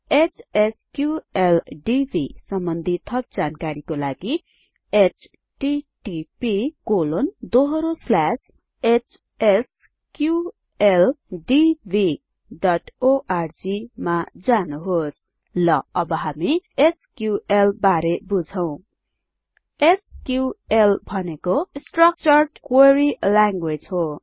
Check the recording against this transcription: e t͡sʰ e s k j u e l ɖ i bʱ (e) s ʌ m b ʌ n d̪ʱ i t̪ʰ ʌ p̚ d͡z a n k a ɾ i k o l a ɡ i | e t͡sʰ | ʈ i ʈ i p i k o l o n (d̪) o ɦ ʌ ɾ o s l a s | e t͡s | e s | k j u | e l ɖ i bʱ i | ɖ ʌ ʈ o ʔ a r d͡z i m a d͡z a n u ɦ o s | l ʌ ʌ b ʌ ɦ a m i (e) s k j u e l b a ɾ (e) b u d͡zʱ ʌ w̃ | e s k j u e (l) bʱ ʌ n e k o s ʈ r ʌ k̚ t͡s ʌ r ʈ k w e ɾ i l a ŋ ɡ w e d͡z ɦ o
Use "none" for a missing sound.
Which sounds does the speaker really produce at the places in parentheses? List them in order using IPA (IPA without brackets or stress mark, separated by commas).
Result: i, d̪, e, e, l